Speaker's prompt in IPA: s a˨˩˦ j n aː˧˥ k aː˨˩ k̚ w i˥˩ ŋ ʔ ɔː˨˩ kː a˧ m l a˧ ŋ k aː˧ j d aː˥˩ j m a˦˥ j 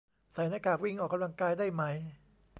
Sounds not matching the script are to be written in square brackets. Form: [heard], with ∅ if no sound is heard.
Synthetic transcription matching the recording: s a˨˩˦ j n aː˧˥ k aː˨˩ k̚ w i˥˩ ŋ ʔ ɔː˨˩ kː a˧ m l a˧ ŋ k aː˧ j d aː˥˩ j m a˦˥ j